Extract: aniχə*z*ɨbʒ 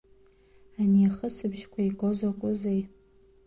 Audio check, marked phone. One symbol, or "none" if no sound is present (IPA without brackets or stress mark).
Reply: s